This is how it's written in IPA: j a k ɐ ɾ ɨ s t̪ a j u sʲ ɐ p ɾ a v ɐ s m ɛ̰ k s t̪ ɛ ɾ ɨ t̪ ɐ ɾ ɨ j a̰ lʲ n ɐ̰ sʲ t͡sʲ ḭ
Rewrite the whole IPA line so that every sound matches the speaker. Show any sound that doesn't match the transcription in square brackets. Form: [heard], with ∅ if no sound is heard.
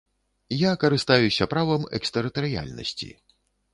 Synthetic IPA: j a k ɐ ɾ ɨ s t̪ a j u sʲ ɐ p ɾ a v ɐ [∅] m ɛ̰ k s t̪ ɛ ɾ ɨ t̪ ɐ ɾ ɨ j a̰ lʲ n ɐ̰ sʲ t͡sʲ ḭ